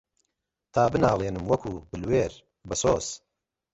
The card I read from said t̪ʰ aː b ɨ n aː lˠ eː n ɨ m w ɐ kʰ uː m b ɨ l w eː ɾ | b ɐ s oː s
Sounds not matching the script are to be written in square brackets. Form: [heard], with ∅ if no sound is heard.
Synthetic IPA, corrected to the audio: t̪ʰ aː b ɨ n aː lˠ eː n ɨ m w ɐ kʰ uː [∅] b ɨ l w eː ɾ | b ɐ s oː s